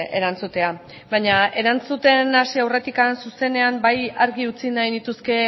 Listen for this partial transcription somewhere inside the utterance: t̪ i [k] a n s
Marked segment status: correct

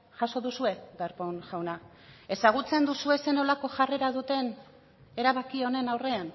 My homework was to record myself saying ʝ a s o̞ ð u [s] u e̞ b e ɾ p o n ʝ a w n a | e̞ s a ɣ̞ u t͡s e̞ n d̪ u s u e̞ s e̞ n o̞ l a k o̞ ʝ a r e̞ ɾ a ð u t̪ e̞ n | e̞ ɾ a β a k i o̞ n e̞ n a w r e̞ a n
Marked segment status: correct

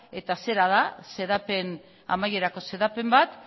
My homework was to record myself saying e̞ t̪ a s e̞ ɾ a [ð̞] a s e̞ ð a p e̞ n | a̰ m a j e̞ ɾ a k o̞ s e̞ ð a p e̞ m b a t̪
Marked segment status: correct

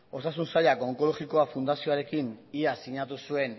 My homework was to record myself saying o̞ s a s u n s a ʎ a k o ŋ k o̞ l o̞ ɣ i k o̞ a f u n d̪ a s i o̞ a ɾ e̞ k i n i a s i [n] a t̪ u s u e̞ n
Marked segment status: incorrect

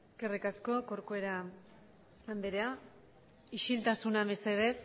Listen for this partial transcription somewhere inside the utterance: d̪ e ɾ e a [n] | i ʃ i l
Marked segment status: incorrect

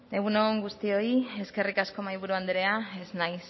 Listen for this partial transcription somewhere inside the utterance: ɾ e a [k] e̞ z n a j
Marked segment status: incorrect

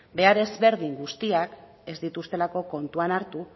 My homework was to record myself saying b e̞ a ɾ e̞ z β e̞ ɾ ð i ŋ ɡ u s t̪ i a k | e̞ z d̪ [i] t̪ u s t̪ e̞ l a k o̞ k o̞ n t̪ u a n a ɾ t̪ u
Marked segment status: correct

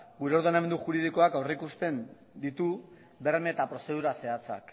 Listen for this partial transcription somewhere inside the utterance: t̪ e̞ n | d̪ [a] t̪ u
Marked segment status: incorrect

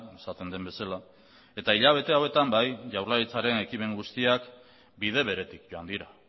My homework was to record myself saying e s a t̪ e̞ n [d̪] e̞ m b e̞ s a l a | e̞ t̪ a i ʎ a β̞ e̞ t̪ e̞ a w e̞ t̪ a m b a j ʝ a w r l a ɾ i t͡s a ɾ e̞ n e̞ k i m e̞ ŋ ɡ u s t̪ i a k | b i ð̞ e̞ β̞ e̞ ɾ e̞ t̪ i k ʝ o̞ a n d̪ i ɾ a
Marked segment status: correct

